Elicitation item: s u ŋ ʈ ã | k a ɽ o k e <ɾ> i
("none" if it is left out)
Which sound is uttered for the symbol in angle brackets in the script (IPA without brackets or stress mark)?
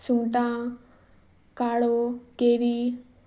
ɾ